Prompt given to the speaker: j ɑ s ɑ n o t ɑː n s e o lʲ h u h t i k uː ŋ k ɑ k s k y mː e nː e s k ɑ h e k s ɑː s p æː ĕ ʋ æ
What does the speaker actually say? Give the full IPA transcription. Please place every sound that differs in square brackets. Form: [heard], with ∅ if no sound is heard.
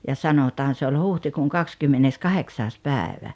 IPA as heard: j ɑ s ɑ n o t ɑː n s e o lʲ h u h t i k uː ŋ k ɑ k s k y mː e nː e s k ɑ h e k s ɑː s p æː ĕ ʋ æ